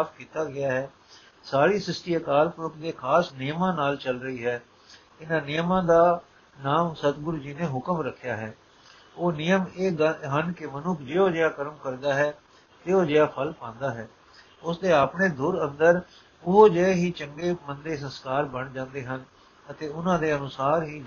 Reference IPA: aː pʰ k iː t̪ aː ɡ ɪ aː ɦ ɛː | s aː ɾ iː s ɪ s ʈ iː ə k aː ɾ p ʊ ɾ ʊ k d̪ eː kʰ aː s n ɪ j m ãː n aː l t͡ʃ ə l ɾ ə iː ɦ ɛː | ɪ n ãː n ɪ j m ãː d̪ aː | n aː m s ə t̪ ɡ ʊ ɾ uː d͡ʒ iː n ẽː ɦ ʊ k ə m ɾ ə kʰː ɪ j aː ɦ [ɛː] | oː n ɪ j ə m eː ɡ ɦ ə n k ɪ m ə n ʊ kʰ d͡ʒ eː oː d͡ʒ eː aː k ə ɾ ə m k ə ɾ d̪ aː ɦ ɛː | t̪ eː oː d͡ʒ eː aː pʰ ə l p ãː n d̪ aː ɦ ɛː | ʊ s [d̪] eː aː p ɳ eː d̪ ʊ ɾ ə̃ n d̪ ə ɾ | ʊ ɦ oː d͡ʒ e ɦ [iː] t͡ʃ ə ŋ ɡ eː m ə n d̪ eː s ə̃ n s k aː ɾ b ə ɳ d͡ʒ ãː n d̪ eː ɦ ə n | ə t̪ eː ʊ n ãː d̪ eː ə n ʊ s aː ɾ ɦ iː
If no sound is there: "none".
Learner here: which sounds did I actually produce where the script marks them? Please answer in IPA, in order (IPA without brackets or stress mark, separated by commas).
ɛː, d̪, iː